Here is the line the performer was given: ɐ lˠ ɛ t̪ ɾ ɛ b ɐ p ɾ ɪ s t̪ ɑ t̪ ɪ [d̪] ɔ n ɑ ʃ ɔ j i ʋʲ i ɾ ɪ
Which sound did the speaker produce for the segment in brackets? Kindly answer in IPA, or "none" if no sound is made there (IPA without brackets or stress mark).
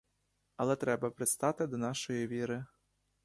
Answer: d̪